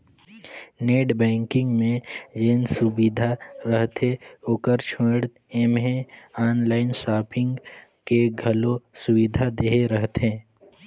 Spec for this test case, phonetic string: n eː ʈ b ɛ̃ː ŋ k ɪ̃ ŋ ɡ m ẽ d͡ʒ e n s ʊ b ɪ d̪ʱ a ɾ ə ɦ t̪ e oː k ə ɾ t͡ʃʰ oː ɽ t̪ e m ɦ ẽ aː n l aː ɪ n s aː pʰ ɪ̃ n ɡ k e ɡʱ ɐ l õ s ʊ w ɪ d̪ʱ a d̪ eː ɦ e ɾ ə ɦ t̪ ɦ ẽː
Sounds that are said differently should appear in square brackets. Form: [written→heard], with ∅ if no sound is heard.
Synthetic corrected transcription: n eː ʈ b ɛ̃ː ŋ k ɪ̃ ŋ ɡ m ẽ d͡ʒ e n s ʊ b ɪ d̪ʱ a ɾ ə ɦ t̪ e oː k ə ɾ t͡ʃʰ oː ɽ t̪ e m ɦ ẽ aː n l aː ɪ n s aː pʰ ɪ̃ [n→ŋ] ɡ k e ɡʱ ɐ l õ s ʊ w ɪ d̪ʱ a d̪ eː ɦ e ɾ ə ɦ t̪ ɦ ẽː

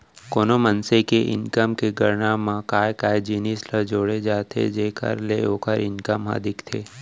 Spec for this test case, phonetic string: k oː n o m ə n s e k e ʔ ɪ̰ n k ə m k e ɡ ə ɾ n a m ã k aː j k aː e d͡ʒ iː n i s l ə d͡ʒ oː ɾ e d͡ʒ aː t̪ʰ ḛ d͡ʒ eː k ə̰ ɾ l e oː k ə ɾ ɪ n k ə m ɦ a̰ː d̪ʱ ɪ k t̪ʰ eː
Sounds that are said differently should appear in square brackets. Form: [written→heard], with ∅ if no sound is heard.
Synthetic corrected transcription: k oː n o m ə n s e k e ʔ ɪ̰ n k ə m k e ɡ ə ɾ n a m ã k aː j k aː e d͡ʒ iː n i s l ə d͡ʒ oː [ɾ→ɽ] e d͡ʒ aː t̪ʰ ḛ d͡ʒ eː k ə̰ ɾ l e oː k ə ɾ ɪ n k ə m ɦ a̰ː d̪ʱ ɪ k t̪ʰ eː

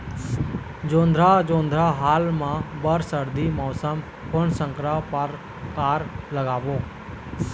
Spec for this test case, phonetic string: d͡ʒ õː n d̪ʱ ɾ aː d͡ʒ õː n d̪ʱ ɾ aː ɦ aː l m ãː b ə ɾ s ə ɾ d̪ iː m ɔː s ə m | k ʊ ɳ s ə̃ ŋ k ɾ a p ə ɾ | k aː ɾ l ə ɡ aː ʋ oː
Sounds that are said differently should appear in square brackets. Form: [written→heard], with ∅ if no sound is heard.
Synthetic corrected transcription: d͡ʒ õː n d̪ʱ ɾ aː d͡ʒ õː n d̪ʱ ɾ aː ɦ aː l m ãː b ə ɾ s ə ɾ d̪ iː m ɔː s ə m | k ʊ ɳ s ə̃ ŋ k ɾ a p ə ɾ | k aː ɾ l ə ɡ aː ʋ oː

